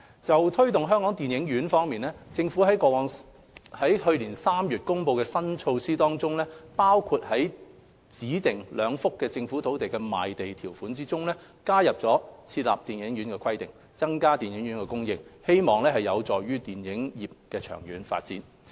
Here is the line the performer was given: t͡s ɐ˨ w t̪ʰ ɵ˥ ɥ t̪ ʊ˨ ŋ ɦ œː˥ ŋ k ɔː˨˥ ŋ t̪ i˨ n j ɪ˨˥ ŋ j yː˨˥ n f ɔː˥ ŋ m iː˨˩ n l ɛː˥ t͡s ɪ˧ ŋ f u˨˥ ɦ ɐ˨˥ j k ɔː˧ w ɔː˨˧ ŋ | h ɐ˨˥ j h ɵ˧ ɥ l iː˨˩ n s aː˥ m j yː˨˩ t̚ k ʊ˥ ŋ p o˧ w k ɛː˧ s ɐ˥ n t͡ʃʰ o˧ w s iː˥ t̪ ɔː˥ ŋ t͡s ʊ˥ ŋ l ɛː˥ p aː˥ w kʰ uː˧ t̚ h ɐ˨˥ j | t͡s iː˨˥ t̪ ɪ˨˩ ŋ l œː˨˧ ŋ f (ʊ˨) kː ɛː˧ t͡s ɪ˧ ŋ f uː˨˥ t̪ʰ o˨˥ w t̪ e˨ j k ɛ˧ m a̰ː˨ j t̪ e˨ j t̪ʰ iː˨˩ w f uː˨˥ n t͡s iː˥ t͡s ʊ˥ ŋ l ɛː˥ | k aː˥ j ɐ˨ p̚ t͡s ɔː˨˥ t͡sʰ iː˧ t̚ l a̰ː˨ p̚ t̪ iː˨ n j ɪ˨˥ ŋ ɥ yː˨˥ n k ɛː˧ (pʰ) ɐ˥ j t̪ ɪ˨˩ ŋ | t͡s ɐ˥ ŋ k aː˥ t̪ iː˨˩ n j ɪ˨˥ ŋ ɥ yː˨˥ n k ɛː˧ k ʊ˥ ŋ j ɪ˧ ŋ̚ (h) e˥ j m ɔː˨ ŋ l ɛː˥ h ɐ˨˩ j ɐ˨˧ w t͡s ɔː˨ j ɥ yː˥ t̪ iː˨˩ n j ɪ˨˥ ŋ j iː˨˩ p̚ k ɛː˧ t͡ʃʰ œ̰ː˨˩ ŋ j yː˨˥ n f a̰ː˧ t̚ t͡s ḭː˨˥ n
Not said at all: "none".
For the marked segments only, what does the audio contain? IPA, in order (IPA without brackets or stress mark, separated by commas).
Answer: ʊ˥, kʰ, h